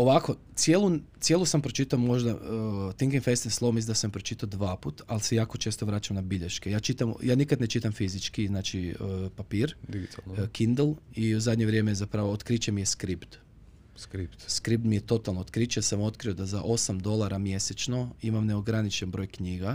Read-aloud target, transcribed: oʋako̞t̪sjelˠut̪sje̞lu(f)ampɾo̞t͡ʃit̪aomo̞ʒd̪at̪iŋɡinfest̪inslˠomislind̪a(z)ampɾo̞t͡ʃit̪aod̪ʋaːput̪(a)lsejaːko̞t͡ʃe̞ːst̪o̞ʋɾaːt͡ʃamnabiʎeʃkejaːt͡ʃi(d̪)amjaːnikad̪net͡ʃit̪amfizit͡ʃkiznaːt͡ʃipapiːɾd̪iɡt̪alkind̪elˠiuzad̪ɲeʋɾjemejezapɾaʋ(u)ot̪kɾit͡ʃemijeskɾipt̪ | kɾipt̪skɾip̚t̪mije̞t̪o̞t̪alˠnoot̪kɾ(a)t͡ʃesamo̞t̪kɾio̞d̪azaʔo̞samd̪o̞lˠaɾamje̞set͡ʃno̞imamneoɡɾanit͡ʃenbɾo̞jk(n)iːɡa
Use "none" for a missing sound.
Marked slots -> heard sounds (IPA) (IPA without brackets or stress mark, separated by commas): s, s, a, t̪, o, i, ɲ